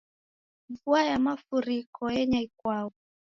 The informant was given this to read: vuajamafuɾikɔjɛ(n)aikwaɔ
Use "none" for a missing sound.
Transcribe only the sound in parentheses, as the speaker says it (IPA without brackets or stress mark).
ɲ